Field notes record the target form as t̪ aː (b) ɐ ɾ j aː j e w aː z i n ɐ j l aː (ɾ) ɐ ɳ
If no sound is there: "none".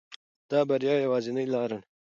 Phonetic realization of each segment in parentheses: b, ɾ

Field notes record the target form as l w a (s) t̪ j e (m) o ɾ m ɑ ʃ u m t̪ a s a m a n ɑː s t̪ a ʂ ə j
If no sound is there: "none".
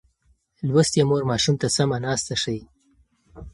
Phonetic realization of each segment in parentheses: s, m

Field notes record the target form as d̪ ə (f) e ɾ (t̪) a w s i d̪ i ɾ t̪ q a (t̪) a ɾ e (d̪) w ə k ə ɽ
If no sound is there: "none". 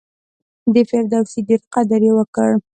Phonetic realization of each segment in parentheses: f, d̪, d̪, none

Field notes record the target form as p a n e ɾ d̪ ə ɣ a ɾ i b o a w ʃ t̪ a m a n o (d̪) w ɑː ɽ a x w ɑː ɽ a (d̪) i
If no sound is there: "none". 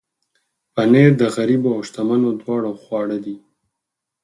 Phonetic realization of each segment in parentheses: d̪, d̪

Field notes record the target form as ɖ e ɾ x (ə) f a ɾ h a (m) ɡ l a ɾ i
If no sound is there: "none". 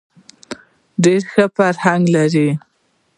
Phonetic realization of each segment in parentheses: ə, ŋ

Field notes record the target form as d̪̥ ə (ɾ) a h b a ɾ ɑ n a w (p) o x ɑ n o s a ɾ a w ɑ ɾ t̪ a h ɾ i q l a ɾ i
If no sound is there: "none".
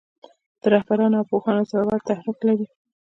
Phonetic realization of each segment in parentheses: ɾ, p

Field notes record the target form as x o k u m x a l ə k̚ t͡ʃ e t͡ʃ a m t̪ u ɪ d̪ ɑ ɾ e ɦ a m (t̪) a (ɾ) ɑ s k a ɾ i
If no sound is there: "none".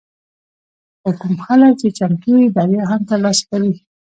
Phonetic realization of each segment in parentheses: t̪, l

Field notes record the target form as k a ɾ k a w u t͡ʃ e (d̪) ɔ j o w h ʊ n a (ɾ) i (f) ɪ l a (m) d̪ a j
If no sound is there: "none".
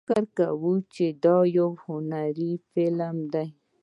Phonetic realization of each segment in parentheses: d̪, ɾ, f, m

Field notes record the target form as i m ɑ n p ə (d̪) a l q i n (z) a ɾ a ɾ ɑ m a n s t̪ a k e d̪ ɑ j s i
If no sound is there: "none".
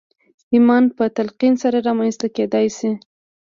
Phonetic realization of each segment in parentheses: t̪, s

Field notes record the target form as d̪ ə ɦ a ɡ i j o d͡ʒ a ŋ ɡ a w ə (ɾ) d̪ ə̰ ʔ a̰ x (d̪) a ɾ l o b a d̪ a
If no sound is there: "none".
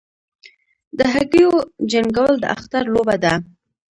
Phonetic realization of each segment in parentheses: l, t̪

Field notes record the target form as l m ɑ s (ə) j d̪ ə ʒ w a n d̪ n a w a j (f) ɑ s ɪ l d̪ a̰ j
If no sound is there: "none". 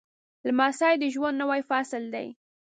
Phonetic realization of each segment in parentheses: ɑ, f

